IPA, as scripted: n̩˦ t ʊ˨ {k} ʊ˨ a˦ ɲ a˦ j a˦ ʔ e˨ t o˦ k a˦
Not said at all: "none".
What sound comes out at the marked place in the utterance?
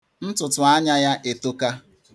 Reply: t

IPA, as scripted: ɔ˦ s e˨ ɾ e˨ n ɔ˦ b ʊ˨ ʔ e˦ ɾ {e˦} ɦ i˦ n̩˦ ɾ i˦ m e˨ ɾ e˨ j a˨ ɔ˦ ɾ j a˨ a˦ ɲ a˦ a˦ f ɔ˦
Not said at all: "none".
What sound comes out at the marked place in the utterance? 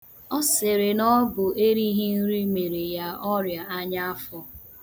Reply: i˦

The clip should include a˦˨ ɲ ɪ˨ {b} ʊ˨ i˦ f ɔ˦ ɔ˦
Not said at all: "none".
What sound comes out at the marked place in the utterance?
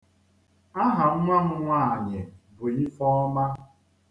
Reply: b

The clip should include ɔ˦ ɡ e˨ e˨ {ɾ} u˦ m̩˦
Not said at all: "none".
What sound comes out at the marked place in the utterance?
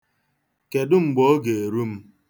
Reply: ɾ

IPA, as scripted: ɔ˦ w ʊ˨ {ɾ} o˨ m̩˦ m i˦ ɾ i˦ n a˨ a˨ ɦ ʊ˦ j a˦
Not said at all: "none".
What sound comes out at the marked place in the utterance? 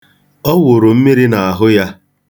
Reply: ɾ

